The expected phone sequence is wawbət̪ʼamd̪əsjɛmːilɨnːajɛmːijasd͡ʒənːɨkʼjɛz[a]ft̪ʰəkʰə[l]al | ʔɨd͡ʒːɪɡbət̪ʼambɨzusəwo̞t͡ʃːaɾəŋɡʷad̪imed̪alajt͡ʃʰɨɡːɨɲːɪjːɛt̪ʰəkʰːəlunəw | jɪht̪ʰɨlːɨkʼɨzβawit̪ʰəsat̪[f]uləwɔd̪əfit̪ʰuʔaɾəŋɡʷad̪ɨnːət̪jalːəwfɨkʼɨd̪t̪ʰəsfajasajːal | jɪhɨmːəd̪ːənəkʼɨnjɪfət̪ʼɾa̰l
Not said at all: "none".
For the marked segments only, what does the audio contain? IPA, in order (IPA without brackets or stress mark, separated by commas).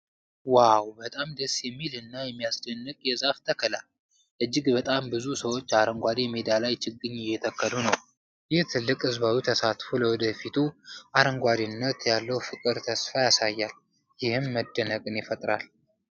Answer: a, l, f